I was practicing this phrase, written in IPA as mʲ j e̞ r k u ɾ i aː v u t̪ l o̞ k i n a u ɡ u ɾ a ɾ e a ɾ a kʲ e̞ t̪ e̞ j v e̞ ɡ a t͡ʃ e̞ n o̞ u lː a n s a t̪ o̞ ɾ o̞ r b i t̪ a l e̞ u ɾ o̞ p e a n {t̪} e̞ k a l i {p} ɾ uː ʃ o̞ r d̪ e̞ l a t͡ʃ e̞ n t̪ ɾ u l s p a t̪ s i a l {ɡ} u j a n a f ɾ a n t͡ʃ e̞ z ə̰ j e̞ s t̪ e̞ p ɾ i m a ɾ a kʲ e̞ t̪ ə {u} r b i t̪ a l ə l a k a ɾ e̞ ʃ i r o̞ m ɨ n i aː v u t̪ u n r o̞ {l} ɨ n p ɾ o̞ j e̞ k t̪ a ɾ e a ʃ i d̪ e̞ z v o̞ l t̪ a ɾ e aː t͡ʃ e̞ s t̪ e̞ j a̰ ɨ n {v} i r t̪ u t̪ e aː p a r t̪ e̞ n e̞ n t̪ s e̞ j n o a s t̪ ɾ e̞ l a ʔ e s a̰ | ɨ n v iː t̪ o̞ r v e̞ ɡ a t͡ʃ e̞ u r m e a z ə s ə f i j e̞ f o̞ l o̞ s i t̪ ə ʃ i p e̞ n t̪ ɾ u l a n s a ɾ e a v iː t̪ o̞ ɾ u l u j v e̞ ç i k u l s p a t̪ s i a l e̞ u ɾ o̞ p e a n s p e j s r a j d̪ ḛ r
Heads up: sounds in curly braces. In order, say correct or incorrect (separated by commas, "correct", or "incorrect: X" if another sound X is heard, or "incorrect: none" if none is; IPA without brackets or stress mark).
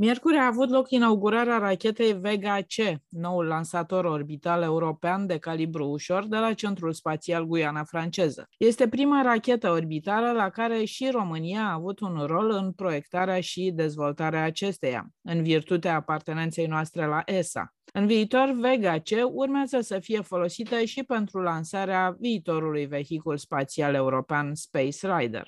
incorrect: d̪, incorrect: b, correct, incorrect: o, correct, correct